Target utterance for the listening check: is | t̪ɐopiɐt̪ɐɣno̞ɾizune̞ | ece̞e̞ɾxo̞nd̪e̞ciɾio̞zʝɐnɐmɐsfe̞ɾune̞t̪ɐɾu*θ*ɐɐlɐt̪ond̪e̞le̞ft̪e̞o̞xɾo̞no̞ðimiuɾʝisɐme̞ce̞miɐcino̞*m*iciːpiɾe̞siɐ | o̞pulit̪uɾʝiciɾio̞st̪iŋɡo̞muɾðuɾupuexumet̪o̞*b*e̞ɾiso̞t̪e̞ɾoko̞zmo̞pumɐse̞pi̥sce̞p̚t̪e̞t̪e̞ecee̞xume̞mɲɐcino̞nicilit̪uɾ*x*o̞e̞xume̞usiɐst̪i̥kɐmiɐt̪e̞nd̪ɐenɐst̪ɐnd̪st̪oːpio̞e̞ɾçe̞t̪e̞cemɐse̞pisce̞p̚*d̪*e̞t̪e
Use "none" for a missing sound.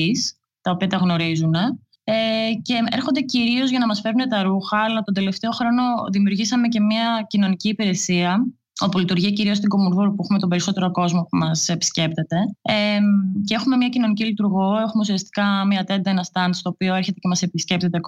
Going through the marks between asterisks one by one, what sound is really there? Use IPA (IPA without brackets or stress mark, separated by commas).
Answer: x, n, b, ɣ, t̪